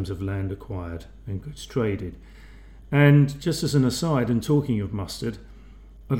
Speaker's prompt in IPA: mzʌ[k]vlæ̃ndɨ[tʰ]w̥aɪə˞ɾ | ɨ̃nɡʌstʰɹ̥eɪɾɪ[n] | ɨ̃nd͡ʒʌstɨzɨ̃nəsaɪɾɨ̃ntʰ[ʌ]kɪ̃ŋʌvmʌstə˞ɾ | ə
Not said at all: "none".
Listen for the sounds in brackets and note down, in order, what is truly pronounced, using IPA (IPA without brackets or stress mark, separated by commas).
none, kʰ, d, ɔ